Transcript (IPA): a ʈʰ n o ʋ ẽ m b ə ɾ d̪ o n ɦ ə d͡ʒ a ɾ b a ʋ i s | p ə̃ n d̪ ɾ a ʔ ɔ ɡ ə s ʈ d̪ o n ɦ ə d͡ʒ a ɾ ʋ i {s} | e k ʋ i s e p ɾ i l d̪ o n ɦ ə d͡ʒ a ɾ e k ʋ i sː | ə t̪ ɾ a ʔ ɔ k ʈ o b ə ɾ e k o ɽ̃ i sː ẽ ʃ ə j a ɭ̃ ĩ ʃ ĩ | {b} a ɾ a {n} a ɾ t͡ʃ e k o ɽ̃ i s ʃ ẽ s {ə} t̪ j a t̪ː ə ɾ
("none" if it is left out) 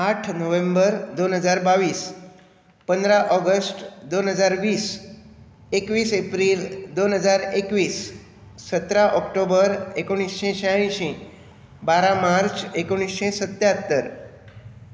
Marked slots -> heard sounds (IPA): s, b, m, ə

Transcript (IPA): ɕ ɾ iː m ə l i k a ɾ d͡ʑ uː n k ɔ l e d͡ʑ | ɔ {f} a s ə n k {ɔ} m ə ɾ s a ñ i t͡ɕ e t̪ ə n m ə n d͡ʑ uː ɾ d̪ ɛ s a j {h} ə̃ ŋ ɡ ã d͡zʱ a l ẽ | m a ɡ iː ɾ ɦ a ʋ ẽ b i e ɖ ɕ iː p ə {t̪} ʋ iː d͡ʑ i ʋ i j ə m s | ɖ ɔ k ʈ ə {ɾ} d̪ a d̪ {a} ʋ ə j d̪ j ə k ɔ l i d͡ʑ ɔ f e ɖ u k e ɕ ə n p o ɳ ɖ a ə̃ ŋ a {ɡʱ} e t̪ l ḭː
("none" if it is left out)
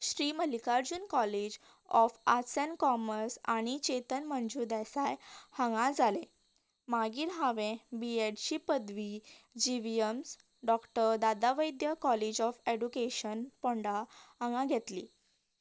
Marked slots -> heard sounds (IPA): f, ɔ, h, d̪, ɾ, a, ɡʱ

